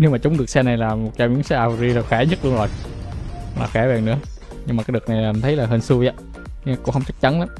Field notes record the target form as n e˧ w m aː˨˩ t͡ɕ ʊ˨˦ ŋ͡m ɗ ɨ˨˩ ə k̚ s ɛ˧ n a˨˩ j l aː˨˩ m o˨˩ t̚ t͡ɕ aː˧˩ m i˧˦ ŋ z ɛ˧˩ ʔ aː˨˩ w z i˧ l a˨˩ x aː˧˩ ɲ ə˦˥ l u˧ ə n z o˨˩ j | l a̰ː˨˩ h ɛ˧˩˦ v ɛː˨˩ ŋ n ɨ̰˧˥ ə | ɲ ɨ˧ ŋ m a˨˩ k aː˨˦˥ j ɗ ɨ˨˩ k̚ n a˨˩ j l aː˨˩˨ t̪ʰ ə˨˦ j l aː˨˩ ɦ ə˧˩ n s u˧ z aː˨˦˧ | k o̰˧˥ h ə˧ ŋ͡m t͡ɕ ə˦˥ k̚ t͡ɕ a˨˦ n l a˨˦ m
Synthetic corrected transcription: n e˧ w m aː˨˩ t͡ɕ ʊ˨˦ ŋ͡m ɗ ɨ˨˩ ə k̚ s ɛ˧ n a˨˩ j l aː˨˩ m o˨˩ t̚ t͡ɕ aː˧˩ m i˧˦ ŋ s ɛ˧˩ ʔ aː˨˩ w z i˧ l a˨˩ x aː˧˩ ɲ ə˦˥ l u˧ ə n z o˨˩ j | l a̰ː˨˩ x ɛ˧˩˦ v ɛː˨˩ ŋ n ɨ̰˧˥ ə | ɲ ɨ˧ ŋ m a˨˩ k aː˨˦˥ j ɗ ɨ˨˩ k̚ n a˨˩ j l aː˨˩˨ t̪ʰ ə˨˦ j l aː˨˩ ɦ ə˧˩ n s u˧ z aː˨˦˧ | k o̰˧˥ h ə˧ ŋ͡m t͡ɕ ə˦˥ k̚ t͡ɕ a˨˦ n l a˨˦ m